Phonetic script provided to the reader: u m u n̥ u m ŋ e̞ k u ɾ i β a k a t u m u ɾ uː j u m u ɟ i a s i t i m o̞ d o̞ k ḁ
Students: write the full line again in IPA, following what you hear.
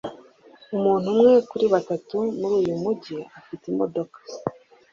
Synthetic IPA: u m uː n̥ u m ŋ e̞ k u ɾ i β a t a t u m u ɾ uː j u m u ɟ i a f i t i m o̞ d o̞ k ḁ

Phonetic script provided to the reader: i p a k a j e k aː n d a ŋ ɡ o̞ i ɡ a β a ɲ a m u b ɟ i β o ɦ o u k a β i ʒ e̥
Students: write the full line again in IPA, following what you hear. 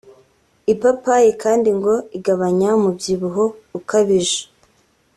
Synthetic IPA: i p a p a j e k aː n d i ŋ ɡ o̞ i ɡ a β a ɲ a m u b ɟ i β u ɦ o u k a β i ʒ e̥

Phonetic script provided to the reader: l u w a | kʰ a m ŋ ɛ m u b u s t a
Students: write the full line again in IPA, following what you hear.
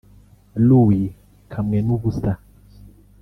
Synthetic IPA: l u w i | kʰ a m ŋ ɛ n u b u s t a

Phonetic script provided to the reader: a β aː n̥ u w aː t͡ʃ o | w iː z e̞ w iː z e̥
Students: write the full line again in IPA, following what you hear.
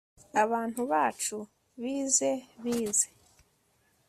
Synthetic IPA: a β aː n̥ u β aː t͡ʃ u | β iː z e̞ β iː z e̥

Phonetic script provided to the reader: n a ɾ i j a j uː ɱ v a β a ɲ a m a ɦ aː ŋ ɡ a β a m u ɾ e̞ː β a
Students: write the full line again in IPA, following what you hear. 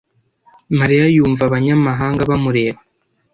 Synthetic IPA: m a ɾ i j a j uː ɱ v a β a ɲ a m a ɦ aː ŋ ɡ a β a m u ɾ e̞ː β a

